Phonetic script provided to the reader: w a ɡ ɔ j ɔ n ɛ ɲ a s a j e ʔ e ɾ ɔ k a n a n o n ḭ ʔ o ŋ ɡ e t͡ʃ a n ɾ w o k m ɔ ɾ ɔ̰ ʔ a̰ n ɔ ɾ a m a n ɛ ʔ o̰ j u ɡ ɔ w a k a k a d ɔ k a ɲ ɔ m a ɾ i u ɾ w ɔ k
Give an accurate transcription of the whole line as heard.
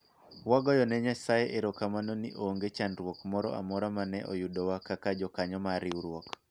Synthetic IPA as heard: w a ɡ ɔ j ɔ n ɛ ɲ a s a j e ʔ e ɾ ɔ k a m a n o n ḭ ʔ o ŋ ɡ e t͡ʃ a n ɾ w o k m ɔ ɾ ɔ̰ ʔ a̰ m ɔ ɾ a m a n ɛ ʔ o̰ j u d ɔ w a k a k a d͡ʒ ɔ k a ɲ ɔ m a ɾ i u ɾ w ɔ k